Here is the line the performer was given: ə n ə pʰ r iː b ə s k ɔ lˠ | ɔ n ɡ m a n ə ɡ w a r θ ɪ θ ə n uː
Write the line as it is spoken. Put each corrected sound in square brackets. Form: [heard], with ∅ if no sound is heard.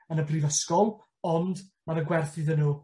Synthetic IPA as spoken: ə n ə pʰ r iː [v] ə s k ɔ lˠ | ɔ n [d] m a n ə ɡ w [ɛ] r θ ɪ [ð] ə n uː